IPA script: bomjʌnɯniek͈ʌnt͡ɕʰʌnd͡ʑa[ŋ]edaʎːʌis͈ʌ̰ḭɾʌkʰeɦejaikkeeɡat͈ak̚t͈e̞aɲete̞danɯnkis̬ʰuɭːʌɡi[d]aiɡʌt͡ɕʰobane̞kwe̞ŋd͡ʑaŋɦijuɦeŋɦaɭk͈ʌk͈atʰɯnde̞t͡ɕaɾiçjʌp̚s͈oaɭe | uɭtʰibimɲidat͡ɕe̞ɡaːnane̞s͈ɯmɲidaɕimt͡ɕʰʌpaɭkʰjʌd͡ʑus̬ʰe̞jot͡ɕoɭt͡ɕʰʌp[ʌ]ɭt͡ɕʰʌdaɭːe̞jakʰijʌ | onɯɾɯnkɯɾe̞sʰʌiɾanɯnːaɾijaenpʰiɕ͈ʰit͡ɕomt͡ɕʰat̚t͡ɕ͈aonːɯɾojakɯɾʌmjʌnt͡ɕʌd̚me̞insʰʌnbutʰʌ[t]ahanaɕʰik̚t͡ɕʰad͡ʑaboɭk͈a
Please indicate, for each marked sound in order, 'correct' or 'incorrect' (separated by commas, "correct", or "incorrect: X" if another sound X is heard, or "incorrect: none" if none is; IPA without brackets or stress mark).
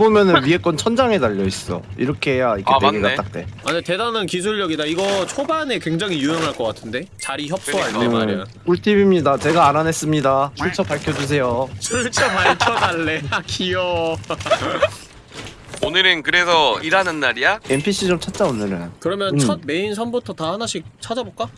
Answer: correct, correct, incorrect: a, correct